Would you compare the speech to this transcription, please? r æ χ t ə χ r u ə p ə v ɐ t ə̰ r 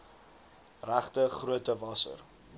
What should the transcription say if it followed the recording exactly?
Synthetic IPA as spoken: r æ χ t ə χ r u ə t ə v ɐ s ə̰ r